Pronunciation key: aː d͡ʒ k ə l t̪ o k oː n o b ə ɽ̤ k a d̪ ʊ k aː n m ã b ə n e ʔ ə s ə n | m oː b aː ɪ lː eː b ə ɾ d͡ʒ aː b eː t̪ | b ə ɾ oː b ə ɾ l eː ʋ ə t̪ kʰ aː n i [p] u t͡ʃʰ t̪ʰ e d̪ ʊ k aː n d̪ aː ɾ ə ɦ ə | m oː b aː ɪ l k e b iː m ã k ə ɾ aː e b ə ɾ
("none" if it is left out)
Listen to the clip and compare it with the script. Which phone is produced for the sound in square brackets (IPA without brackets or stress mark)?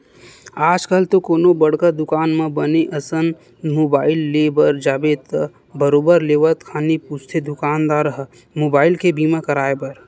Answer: p